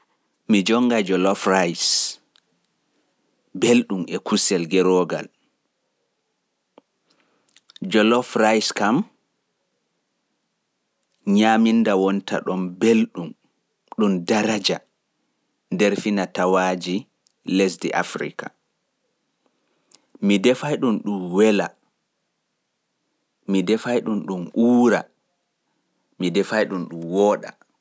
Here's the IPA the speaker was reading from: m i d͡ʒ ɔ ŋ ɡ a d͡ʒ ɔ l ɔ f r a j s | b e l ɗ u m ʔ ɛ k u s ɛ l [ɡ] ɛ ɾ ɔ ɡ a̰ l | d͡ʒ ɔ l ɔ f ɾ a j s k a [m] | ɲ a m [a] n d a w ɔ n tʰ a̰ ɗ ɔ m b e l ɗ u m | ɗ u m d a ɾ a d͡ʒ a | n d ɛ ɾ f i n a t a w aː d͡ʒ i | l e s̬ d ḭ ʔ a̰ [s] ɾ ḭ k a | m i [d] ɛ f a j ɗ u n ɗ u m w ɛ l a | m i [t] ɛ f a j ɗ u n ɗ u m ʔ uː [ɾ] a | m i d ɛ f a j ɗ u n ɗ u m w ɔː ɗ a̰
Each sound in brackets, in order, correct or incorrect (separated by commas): correct, correct, incorrect, incorrect, correct, incorrect, correct